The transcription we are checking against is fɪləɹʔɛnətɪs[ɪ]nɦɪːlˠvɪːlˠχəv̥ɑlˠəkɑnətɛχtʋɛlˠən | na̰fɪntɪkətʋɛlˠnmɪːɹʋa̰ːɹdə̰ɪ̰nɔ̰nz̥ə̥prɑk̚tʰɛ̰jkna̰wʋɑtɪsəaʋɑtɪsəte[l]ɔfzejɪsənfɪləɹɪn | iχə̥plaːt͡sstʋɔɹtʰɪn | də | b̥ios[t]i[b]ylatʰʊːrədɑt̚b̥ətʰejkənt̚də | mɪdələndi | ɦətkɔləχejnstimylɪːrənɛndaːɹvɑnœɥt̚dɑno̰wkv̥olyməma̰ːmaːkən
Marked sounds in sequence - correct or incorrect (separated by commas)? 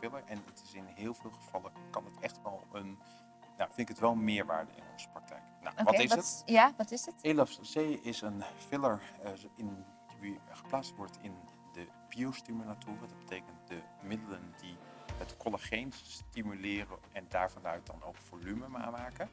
correct, correct, correct, incorrect